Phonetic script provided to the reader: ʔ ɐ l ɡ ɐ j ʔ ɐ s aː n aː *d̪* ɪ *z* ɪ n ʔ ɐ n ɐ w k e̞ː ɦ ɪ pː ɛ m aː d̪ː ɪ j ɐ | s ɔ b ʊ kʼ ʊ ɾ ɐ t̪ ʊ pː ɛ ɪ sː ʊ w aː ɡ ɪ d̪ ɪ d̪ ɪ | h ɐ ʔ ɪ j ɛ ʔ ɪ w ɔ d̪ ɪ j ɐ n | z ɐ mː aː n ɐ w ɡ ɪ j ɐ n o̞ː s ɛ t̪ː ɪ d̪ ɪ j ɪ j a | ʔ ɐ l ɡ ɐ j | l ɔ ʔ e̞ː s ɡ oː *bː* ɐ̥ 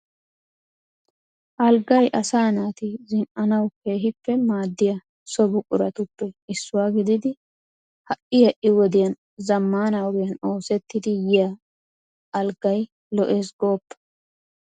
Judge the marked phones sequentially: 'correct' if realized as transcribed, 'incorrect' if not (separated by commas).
incorrect, correct, incorrect